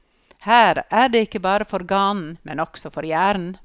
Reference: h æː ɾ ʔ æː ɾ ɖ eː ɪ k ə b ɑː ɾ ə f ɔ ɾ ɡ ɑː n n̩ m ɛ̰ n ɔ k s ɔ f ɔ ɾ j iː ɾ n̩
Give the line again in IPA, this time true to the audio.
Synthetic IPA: h æː ɾ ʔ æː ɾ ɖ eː ɪ k ə b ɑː ɾ ə f ɔ ɾ ɡ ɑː n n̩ m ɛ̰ n ɔ k s ɔ f ɔ ɾ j æː ɾ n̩